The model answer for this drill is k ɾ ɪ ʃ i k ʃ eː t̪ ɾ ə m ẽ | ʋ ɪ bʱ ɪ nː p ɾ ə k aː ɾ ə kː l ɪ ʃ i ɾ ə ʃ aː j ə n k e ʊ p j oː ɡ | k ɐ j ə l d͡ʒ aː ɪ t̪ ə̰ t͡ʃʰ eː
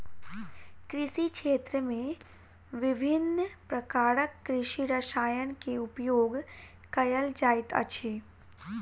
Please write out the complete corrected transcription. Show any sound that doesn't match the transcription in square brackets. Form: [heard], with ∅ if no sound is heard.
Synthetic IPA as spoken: k ɾ ɪ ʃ i k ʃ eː t̪ ɾ ə m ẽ | ʋ ɪ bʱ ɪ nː p ɾ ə k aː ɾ ə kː [ɾ] ɪ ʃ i ɾ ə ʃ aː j ə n k e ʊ p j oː ɡ | k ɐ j ə l d͡ʒ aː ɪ t̪ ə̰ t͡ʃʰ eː